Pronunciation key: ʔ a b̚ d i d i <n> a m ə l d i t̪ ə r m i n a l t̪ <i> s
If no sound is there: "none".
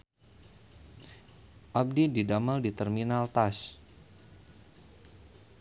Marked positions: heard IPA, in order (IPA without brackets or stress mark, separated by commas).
d, a